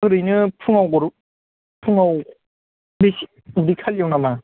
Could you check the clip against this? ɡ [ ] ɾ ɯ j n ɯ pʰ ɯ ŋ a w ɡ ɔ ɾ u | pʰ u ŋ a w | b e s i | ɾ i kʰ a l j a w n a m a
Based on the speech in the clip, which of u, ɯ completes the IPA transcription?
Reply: ɯ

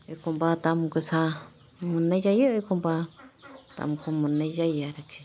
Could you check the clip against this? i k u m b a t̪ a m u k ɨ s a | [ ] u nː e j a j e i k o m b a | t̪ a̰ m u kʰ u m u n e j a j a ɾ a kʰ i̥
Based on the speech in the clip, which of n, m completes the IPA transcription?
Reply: m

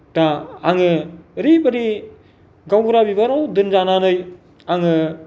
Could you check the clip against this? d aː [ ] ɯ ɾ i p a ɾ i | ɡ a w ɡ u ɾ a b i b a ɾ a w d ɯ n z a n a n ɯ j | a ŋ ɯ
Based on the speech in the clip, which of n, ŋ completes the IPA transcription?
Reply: ŋ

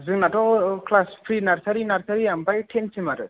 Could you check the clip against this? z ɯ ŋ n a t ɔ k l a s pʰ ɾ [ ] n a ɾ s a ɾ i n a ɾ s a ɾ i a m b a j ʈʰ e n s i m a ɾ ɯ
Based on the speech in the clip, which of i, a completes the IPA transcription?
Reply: i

